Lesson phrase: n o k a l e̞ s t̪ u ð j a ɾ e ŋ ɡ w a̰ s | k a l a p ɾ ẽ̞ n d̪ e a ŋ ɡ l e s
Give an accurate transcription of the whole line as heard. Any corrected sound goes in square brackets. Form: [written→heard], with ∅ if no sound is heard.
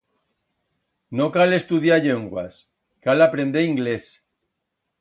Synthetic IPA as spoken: n o k a l e̞ s t̪ u ð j a [ɾ→ʎ] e ŋ ɡ w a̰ s | k a l a p ɾ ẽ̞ n d̪ e [a→i] ŋ ɡ l e s